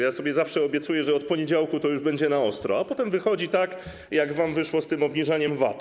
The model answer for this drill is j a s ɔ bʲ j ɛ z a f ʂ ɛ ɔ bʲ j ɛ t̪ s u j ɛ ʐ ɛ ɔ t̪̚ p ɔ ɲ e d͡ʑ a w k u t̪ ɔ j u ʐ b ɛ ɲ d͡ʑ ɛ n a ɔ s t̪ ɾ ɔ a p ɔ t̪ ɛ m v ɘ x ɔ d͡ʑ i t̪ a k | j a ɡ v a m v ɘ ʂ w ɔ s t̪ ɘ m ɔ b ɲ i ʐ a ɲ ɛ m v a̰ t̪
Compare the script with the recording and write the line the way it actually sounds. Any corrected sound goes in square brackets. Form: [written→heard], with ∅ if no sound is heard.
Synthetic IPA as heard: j a s ɔ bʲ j ɛ z a f ʂ ɛ ɔ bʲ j ɛ t̪ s u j ɛ ʐ ɛ ɔ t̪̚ p ɔ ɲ e d͡ʑ a w k u t̪ ɔ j u ʐ b ɛ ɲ d͡ʑ ɛ n a ɔ s t̪ ɾ ɔ a p ɔ t̪ ɛ m v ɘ x ɔ d͡ʑ i t̪ a k | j a ɡ v a m v ɘ ʂ w ɔ s t̪ ɘ m ɔ b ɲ i ʐ a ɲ ɛ m v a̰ t̪